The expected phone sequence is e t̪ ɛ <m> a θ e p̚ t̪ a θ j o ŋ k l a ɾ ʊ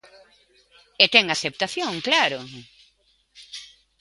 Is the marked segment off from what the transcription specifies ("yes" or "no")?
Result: yes